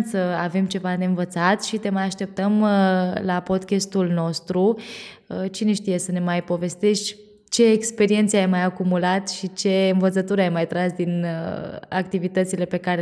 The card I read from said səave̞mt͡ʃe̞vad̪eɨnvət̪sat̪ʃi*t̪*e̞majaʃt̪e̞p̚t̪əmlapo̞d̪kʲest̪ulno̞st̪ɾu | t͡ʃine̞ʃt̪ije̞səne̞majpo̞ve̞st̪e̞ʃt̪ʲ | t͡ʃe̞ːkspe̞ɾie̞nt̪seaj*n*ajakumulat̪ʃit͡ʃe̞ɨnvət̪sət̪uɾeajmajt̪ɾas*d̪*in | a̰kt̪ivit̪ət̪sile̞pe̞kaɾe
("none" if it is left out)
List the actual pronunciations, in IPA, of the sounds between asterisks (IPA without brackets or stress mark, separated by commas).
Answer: t̪, m, d̪